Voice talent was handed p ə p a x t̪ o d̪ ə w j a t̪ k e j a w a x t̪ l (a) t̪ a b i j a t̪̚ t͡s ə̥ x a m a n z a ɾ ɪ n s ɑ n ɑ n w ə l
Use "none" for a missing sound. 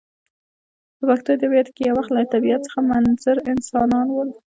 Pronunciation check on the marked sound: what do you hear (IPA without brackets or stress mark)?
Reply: a